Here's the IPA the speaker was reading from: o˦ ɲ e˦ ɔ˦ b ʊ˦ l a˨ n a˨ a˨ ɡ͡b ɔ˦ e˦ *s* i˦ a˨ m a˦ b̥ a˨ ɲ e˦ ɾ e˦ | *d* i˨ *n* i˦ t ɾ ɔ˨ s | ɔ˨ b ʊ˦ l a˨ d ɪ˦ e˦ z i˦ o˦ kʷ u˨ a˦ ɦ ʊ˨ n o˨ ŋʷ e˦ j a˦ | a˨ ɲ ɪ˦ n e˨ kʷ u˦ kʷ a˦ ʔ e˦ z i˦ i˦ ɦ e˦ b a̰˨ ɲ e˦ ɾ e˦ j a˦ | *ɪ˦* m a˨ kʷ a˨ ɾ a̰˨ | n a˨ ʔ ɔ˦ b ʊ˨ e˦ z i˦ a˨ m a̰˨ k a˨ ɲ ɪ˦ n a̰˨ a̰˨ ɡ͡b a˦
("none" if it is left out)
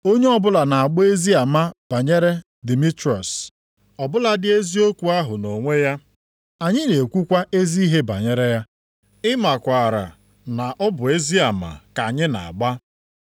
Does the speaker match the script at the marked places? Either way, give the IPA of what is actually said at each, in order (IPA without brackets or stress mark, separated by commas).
z, d, m, ɪ˦